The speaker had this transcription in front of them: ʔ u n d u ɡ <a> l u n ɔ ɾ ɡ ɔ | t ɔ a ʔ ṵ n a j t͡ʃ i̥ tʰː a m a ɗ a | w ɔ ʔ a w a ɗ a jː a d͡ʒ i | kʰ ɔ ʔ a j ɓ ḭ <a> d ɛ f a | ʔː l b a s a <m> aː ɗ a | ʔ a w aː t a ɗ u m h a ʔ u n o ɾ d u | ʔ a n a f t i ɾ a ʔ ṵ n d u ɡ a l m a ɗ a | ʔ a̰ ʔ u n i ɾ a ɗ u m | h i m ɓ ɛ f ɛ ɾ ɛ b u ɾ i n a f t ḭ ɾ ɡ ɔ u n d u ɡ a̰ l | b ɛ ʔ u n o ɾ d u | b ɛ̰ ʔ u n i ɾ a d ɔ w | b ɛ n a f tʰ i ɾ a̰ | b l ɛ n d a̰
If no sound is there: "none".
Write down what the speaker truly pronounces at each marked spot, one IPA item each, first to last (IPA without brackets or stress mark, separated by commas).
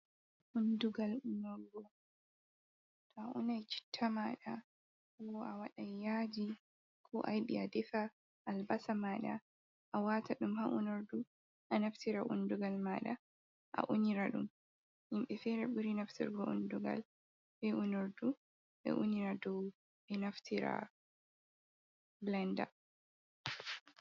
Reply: a, a, m